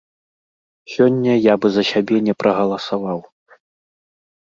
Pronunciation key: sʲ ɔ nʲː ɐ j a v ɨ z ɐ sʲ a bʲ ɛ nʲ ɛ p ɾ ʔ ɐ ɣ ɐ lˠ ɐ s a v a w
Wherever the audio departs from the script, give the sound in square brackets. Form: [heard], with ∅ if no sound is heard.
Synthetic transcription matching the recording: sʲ ɔ nʲː ɐ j a [b] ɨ z ɐ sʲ a bʲ ɛ nʲ ɛ p ɾ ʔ ɐ ɣ ɐ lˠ ɐ s a v a w